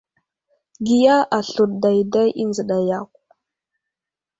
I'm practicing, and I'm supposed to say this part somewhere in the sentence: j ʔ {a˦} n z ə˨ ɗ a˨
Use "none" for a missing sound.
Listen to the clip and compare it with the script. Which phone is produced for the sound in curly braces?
i˦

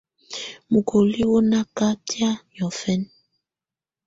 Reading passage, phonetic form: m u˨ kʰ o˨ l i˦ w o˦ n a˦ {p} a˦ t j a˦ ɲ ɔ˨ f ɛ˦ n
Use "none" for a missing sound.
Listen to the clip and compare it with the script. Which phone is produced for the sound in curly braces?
k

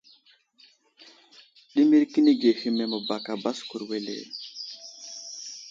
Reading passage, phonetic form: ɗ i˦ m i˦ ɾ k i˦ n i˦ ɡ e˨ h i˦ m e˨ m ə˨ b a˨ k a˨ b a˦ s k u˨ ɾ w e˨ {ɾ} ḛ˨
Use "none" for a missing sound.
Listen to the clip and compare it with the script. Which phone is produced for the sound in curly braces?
l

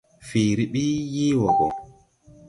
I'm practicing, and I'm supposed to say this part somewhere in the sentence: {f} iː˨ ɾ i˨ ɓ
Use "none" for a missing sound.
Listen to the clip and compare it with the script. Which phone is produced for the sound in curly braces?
f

